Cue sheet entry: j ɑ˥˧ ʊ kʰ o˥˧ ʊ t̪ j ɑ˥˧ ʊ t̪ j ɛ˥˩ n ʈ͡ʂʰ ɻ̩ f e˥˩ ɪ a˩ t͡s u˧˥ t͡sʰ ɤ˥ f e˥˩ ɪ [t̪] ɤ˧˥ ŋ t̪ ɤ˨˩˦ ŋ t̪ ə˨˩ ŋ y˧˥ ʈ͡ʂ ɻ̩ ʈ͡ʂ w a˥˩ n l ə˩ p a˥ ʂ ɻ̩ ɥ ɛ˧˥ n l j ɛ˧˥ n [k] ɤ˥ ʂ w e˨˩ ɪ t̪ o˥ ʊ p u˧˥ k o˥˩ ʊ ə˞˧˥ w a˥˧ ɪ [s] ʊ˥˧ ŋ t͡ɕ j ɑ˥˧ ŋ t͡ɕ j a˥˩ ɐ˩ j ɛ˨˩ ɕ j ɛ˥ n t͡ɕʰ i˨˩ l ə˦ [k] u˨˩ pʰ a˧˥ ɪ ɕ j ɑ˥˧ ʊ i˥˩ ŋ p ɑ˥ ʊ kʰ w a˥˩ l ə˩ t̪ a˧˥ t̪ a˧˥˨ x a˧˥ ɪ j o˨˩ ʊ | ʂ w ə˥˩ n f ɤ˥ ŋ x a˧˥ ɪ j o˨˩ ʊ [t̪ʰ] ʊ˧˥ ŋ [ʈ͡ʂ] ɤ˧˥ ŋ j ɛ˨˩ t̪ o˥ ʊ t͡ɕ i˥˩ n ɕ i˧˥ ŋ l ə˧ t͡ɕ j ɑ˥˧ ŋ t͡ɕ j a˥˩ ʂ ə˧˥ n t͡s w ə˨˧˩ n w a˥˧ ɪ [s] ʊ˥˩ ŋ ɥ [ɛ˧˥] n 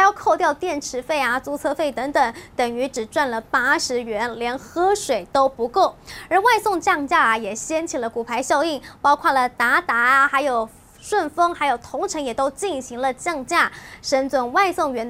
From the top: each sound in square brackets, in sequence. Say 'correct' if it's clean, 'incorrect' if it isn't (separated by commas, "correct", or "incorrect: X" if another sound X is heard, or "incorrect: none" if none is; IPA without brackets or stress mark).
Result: correct, incorrect: x, correct, correct, correct, incorrect: ʈ͡ʂʰ, correct, correct